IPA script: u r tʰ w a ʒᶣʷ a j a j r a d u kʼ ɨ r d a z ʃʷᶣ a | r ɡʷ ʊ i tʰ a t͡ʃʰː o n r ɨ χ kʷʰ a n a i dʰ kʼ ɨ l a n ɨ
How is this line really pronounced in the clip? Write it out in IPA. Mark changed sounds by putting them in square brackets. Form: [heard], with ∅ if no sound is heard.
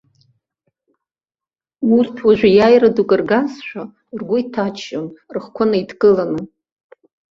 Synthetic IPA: u r tʰ w a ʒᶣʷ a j a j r a d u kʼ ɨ r [ɡ] a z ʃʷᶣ a | r ɡʷ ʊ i tʰ a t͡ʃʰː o n r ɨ χ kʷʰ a n a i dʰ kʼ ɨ l a n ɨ